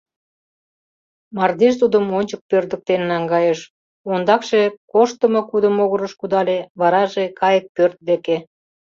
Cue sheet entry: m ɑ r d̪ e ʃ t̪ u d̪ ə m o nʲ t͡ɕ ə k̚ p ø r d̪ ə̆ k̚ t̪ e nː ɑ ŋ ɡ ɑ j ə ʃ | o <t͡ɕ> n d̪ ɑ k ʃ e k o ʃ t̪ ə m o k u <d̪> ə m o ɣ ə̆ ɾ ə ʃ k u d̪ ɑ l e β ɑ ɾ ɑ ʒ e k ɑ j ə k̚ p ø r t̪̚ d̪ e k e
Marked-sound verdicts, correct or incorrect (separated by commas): incorrect, correct